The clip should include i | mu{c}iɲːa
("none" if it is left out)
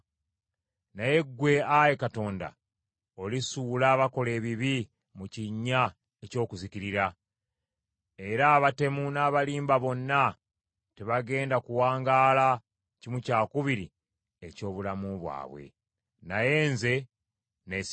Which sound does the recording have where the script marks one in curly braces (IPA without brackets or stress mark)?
c